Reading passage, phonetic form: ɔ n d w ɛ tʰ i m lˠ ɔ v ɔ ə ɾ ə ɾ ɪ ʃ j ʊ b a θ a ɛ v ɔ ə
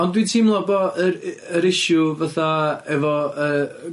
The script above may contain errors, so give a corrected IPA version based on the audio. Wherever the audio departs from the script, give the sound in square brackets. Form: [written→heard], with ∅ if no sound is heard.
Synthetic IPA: ɔ n d w [ɛ→i] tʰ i m lˠ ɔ [v→b] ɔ ə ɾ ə ɾ ɪ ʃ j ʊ [b→v] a θ a ɛ v ɔ ə

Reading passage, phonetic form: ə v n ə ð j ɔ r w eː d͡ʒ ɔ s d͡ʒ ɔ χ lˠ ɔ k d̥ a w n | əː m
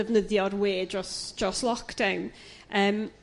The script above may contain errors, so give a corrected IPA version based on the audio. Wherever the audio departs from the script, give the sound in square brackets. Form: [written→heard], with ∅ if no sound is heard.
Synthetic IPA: ə v n ə ð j ɔ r w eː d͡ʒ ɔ s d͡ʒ ɔ [χ→s] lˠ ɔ k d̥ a w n | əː m

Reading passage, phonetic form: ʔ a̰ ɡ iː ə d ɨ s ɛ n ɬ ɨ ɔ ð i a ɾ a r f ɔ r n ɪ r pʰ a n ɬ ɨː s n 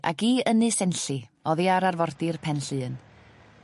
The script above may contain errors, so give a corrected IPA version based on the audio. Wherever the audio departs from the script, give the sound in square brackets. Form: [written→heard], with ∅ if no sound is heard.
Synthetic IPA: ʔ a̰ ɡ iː ə [d→n] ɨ s ɛ n ɬ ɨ ɔ ð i a ɾ a r [f→v] ɔ r [n→d] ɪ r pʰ [a→ɛ] n ɬ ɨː [s→∅] n

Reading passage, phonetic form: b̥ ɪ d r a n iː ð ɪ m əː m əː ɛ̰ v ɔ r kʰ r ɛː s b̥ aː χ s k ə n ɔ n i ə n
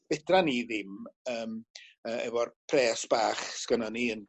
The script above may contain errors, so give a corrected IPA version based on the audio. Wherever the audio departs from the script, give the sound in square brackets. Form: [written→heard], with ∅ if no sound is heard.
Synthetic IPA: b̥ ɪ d r a n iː ð ɪ m əː m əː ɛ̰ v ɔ r [kʰ→pʰ] r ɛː s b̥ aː χ s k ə n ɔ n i ə n

